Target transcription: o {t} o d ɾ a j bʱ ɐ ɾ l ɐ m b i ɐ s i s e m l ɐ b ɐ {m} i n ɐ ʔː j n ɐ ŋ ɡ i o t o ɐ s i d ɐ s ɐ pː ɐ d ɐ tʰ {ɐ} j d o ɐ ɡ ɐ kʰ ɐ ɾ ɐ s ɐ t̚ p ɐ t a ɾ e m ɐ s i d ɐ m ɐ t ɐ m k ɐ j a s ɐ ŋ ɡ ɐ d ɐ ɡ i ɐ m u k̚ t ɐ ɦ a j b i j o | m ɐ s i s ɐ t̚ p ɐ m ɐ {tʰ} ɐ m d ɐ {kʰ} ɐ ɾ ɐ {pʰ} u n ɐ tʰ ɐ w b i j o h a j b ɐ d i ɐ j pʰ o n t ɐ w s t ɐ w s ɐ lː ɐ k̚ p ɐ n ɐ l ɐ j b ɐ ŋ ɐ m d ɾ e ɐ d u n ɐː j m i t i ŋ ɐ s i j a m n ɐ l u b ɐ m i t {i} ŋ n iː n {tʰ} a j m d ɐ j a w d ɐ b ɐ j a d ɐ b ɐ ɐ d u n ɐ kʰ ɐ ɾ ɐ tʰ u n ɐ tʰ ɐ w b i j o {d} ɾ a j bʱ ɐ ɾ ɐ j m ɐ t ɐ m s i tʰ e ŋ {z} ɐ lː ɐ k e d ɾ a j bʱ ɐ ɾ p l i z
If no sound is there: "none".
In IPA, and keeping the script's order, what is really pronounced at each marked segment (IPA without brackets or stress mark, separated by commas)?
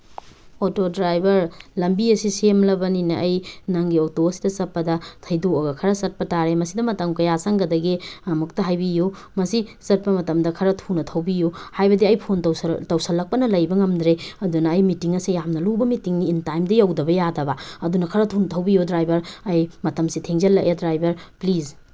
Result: t, n, ɐ, t, kʰ, tʰ, i, t, d, z